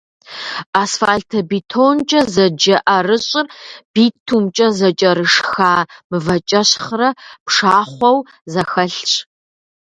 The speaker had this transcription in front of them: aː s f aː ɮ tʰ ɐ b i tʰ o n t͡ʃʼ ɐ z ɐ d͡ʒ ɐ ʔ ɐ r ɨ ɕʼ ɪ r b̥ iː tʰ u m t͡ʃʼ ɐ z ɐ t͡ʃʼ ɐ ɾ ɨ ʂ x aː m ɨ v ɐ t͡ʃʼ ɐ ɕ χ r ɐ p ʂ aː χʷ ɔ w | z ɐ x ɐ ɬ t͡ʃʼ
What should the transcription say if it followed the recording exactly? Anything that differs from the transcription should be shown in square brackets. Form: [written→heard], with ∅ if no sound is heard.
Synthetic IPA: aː s f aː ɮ tʰ ɐ b i tʰ o n t͡ʃʼ ɐ z ɐ d͡ʒ ɐ ʔ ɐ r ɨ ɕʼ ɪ r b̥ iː tʰ u m t͡ʃʼ ɐ z ɐ t͡ʃʼ ɐ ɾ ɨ ʂ x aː m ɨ v ɐ t͡ʃʼ ɐ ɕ χ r ɐ p ʂ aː χʷ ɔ w | z ɐ x ɐ ɬ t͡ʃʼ